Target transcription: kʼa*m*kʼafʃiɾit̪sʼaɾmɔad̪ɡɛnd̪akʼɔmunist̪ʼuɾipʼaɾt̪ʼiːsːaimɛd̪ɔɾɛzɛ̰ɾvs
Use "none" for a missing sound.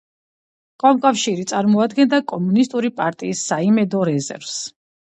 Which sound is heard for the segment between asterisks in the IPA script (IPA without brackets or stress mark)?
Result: m